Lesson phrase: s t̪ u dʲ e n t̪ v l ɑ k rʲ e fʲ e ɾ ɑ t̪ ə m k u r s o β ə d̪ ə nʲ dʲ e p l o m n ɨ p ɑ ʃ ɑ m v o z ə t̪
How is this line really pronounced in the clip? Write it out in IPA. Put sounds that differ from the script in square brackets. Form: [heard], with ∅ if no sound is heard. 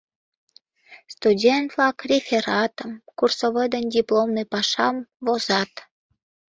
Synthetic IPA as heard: s t̪ u dʲ e n t̪ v l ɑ k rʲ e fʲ e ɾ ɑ t̪ ə m k u r s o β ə d̪ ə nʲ dʲ [i] p l o m n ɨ p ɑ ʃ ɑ m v o z [ɑ] t̪